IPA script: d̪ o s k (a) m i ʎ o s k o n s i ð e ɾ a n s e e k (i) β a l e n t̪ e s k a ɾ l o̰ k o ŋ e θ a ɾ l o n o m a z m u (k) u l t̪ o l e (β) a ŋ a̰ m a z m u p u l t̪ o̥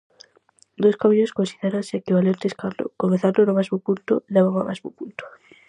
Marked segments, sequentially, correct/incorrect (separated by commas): correct, correct, incorrect, correct